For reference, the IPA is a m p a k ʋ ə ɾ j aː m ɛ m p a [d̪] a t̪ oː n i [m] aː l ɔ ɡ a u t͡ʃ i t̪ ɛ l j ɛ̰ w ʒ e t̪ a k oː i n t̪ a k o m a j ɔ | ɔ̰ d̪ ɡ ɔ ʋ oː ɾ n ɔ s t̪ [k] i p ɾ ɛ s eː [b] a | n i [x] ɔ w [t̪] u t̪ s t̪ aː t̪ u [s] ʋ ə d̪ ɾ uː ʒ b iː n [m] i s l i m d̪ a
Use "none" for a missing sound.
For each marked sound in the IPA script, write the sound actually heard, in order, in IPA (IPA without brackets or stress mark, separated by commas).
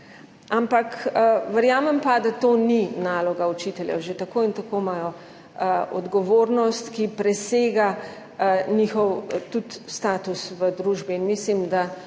d̪, n, k, ɡ, x, t̪, s, m